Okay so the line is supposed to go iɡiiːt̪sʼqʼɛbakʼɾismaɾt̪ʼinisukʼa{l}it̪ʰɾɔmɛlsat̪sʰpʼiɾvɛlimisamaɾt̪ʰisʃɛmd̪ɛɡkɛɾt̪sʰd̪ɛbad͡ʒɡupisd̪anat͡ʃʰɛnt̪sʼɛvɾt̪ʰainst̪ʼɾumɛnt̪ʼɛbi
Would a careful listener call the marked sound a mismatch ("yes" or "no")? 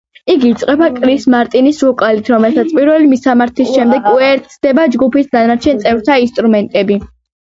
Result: no